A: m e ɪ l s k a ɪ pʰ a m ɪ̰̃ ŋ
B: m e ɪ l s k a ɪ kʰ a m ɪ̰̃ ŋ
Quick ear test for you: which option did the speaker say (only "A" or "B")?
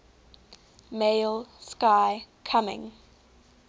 B